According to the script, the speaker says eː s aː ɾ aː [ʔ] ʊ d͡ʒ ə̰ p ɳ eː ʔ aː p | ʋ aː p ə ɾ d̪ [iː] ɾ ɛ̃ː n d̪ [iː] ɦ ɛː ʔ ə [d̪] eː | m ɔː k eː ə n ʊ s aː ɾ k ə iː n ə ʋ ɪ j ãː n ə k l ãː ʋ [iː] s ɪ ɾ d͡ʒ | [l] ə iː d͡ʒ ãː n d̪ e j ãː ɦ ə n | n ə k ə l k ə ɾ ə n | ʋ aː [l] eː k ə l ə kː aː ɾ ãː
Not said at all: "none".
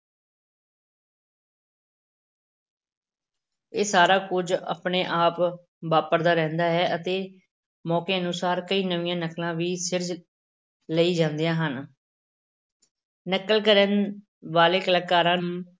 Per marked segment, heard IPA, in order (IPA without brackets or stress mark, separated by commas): k, aː, aː, t̪, iː, l, l